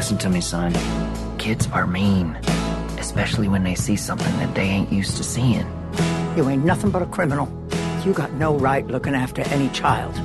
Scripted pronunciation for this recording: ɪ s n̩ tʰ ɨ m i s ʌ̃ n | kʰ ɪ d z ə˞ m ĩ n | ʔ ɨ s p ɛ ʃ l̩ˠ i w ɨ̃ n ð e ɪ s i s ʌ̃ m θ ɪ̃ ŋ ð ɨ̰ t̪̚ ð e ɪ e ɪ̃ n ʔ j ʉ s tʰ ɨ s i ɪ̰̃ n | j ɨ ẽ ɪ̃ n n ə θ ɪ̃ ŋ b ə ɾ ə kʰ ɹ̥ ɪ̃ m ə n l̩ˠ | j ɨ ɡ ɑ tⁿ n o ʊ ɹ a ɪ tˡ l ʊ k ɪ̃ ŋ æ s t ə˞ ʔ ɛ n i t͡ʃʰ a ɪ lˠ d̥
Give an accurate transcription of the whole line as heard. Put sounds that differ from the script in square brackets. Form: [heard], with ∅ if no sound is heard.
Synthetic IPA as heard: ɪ s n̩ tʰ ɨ m i s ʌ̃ n | kʰ ɪ d z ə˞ m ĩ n | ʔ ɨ s p ɛ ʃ l̩ˠ i w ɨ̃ n ð e ɪ s i s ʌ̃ m θ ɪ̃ ŋ ð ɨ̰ t̪̚ ð e ɪ [ẽ] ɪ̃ n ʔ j ʉ s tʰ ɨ s i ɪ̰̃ n | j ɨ ẽ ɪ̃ n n [ʌ] θ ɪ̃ ŋ b [ʌ] ɾ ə kʰ ɹ̥ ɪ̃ m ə n l̩ˠ | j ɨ ɡ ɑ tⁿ n o ʊ ɹ a ɪ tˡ l ʊ k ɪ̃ ŋ æ [f] t ə˞ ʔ ɛ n i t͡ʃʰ a ɪ lˠ d̥